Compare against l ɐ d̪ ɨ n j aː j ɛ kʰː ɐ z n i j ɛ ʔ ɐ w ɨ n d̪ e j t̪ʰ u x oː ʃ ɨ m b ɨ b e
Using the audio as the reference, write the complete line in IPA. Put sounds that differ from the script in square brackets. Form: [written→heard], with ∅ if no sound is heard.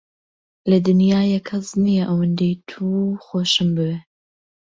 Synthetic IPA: l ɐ d̪ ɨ n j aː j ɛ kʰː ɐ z n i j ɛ ʔ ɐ w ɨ n d̪ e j t̪ʰ u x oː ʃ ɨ m b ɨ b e

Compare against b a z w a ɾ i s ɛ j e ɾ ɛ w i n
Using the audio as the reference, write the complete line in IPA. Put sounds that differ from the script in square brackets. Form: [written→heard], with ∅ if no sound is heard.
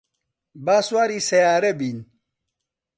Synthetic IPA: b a [z→s] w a ɾ i s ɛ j [e→a] ɾ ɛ [w→b] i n

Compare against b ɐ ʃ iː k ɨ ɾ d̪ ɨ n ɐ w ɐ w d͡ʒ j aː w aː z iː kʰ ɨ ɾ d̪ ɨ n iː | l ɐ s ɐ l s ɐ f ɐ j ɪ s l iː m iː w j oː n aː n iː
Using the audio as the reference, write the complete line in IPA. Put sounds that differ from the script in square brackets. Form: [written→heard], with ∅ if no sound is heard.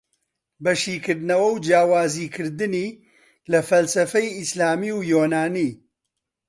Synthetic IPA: b ɐ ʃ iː k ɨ ɾ d̪ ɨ n ɐ w ɐ w d͡ʒ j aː w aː z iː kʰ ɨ ɾ d̪ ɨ n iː | l ɐ [s→f] ɐ l s ɐ f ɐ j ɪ s l [iː→aː] m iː w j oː n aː n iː

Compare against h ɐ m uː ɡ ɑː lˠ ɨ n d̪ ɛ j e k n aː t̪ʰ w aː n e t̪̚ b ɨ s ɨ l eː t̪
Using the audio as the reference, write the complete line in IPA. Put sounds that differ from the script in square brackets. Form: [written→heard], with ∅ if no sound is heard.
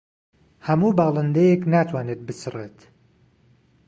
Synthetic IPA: h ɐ m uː [ɡ→b] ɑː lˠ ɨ n d̪ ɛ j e k n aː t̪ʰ w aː n e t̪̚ b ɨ s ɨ [l→r] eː t̪

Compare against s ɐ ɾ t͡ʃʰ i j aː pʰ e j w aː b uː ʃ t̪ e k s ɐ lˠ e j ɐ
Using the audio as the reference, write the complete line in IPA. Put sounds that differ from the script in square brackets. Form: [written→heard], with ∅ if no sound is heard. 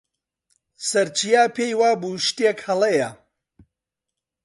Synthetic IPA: s ɐ ɾ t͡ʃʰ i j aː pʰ e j w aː b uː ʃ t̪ e k [s→h] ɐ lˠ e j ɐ

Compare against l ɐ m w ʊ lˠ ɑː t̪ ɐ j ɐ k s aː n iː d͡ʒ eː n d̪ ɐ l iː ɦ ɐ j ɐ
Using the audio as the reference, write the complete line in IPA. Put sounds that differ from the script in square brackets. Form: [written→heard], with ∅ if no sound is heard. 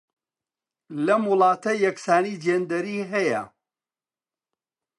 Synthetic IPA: l ɐ m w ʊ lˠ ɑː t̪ ɐ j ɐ k s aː n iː d͡ʒ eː n d̪ ɐ [l→ɾ] iː ɦ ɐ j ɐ

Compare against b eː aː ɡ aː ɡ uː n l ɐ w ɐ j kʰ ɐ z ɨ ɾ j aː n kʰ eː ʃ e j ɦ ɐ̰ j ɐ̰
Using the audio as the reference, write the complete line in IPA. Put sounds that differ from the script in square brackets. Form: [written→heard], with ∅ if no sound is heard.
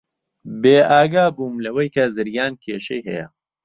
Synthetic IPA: b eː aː ɡ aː [ɡ→b] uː [n→m] l ɐ w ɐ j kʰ ɐ z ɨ ɾ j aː n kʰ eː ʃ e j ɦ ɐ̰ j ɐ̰

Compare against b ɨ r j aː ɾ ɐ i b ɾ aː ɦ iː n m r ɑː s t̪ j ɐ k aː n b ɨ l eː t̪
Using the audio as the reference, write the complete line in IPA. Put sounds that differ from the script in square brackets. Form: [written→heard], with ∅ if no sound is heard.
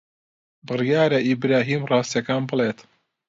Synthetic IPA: b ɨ r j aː ɾ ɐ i b ɾ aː ɦ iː [n→∅] m r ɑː s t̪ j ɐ k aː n b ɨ l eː t̪

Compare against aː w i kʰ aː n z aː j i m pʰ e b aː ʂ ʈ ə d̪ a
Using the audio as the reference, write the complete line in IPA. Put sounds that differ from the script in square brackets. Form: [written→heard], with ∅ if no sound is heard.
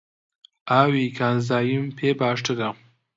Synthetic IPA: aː w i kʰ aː n z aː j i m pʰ e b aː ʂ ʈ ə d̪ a

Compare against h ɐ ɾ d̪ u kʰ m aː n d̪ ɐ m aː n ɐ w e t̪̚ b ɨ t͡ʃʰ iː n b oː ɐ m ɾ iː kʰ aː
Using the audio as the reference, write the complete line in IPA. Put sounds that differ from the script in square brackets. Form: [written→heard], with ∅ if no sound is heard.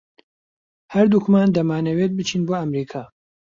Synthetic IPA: h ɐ ɾ d̪ u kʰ m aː n d̪ ɐ m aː n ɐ w e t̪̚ b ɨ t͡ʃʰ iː n b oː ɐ m ɾ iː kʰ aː

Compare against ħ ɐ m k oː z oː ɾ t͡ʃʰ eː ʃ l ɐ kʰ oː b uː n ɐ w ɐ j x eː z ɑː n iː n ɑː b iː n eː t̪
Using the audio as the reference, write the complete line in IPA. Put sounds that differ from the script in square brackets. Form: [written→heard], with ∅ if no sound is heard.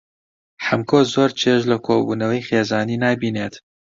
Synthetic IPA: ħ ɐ m k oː z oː ɾ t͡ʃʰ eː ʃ l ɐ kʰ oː b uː n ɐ w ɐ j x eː z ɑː n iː n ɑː b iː n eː t̪

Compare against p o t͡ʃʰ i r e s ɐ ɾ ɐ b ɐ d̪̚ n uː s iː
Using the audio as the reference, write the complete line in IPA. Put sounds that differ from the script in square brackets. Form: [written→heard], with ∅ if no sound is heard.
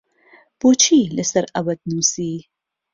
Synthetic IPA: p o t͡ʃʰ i [r→l] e s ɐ ɾ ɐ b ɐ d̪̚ n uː s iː

